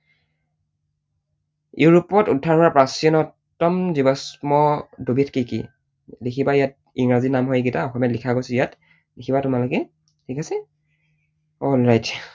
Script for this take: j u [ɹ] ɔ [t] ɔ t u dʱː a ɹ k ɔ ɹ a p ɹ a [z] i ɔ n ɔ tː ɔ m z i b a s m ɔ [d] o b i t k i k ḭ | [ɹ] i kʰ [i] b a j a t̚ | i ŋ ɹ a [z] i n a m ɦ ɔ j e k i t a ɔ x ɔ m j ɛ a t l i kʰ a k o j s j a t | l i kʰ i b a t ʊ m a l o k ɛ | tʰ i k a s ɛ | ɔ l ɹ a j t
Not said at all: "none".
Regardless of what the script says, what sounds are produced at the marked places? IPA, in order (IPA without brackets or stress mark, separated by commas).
ɹ, p, s, d, l, i, z